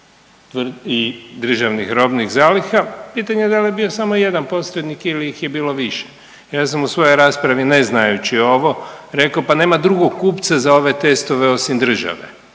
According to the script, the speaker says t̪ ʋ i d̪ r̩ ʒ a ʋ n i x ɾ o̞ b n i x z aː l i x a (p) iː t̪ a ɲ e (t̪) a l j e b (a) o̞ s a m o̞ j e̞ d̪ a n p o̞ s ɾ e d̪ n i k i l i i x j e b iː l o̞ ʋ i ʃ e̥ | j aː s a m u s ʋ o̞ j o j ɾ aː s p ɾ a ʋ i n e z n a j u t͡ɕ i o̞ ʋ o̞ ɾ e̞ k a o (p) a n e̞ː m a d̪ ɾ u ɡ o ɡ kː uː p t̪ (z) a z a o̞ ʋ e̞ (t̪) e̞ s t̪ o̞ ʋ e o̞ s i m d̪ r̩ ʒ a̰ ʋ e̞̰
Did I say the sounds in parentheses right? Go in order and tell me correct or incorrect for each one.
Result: correct, incorrect: d̪, incorrect: i, correct, incorrect: s, correct

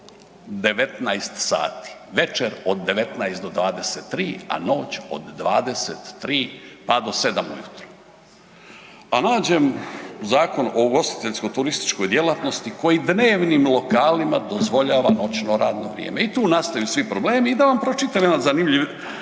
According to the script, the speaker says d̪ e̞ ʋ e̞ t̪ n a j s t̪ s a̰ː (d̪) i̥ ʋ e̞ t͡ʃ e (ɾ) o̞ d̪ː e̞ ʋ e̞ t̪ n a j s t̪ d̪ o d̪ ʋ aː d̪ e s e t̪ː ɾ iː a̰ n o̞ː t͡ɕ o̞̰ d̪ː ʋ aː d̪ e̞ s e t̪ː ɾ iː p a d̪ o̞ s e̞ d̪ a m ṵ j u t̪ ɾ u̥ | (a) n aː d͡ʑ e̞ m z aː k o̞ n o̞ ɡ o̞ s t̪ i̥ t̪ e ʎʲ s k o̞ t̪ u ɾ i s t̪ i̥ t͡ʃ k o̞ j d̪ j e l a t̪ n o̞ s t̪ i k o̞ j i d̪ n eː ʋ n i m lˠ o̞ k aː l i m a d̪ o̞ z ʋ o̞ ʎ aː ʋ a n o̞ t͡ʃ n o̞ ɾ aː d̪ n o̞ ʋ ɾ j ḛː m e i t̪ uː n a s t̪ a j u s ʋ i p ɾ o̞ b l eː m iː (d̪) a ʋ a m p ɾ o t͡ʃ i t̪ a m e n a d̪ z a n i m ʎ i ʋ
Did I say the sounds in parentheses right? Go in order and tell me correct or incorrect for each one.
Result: incorrect: t̪, correct, correct, correct

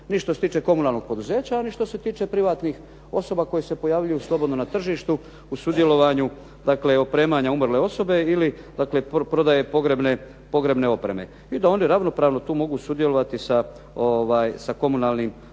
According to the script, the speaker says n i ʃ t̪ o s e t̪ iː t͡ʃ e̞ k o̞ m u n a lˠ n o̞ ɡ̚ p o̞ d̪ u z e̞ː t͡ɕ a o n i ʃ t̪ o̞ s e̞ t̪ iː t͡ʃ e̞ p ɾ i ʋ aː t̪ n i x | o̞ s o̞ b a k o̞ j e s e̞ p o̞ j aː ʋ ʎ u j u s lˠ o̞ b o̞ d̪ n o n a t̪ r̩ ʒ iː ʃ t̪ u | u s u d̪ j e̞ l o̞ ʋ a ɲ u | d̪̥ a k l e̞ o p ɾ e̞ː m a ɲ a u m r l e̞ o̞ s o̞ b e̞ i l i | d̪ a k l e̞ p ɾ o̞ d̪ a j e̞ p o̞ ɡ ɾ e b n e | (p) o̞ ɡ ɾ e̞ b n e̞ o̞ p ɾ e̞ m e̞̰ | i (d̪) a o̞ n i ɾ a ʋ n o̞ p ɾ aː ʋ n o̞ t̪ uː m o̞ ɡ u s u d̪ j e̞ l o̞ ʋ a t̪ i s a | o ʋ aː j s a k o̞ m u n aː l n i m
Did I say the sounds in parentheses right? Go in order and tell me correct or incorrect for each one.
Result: correct, correct

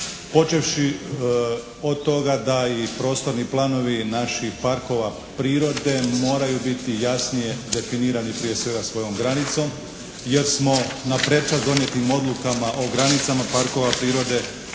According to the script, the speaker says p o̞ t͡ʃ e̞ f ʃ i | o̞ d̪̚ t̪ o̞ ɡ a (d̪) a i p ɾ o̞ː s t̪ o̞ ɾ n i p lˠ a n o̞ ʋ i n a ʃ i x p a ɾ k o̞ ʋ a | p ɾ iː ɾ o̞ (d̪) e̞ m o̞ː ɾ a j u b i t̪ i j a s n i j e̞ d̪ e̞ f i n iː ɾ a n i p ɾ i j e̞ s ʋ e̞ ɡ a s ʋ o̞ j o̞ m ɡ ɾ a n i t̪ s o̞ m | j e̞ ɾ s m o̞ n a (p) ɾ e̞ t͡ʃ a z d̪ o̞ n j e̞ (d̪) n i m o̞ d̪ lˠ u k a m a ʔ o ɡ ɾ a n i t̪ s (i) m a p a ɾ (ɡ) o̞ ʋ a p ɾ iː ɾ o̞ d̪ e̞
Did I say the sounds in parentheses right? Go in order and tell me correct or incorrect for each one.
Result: correct, correct, correct, incorrect: t̪, incorrect: a, incorrect: k

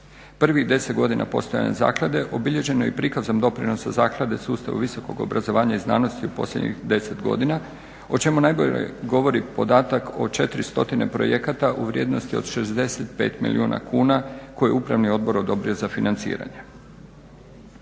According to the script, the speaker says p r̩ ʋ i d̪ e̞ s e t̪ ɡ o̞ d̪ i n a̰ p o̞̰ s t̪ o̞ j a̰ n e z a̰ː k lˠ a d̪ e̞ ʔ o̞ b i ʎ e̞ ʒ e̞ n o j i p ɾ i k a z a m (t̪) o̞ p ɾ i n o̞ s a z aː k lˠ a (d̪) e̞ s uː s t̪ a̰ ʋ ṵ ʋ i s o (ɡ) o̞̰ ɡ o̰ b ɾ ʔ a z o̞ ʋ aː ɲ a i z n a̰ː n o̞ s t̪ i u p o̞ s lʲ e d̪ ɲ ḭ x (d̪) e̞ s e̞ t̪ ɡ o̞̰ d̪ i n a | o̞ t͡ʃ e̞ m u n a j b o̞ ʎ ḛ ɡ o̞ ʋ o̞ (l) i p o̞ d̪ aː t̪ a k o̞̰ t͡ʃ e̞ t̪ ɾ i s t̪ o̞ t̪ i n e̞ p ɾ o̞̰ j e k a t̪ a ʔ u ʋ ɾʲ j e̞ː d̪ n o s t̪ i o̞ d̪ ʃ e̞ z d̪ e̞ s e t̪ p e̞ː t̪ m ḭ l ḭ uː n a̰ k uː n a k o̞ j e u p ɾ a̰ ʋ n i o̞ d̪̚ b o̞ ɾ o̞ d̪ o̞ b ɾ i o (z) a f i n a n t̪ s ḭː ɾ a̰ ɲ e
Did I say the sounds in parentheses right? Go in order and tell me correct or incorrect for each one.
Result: incorrect: d̪, correct, incorrect: k, correct, incorrect: ɾ, correct

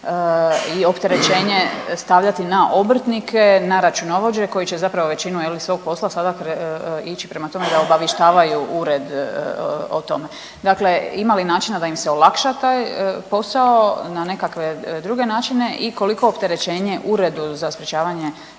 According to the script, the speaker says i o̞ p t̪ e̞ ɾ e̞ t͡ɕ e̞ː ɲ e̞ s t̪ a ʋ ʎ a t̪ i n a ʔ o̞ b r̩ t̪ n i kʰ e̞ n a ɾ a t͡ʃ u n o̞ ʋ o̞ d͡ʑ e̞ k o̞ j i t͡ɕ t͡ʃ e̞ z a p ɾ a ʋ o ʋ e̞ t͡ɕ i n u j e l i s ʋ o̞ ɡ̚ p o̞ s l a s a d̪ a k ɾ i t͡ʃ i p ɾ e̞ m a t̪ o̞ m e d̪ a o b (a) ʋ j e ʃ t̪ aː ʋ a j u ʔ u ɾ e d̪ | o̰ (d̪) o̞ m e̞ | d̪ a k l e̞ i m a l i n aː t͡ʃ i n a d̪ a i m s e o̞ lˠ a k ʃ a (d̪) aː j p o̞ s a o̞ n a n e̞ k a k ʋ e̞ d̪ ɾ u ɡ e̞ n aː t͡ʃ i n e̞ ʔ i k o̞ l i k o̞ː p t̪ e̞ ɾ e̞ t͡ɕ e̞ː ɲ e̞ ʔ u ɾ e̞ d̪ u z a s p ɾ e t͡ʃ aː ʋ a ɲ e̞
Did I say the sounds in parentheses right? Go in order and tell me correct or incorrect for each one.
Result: correct, incorrect: t̪, incorrect: t̪

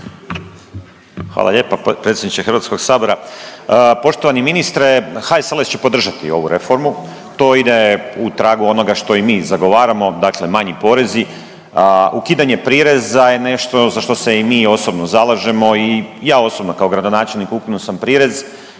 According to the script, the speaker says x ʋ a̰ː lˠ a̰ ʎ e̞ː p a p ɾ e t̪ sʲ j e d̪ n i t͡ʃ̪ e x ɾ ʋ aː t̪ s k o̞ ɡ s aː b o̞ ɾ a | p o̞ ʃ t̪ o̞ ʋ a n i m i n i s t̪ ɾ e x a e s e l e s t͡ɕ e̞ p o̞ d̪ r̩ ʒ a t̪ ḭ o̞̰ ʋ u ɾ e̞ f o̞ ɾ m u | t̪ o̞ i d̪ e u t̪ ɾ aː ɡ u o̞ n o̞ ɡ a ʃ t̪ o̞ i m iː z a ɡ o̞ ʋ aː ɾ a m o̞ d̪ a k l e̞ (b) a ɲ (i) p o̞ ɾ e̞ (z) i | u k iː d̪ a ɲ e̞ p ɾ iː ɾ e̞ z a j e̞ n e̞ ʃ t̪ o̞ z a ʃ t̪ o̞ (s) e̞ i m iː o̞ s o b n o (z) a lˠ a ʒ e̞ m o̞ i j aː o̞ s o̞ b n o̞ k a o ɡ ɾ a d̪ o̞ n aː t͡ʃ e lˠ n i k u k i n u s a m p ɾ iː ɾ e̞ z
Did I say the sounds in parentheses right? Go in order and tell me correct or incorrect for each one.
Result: incorrect: m, correct, correct, correct, correct

